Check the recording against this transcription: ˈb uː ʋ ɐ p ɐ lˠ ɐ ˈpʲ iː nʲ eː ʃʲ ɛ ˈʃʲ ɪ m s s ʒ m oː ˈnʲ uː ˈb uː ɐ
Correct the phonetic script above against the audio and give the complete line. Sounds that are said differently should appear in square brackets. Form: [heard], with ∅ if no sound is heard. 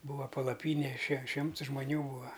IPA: ˈb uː ʋ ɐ p ɐ lˠ ɐ ˈpʲ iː nʲ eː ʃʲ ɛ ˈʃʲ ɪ m [t] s ʒ m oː ˈnʲ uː ˈb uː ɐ